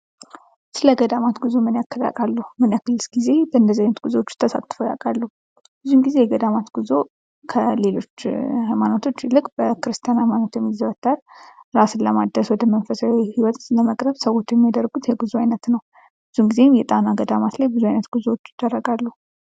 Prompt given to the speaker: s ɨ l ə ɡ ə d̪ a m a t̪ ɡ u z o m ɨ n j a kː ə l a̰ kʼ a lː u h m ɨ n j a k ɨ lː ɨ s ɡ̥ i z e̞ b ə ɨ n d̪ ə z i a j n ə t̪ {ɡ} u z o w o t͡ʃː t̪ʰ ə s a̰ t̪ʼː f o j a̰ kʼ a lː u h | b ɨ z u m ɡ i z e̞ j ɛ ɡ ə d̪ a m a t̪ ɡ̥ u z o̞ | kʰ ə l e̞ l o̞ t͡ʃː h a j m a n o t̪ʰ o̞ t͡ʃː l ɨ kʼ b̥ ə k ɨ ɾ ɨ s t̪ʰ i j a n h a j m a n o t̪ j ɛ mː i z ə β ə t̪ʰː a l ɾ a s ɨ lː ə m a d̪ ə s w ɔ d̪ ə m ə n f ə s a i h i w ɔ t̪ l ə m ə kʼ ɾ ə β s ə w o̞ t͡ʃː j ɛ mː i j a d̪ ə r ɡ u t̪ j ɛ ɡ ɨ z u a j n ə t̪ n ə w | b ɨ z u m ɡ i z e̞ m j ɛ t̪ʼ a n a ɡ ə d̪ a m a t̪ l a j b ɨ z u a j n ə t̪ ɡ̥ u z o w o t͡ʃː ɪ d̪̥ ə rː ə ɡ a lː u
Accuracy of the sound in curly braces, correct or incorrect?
correct